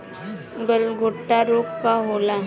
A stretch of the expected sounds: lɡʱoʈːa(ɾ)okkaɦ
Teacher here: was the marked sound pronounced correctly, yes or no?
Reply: yes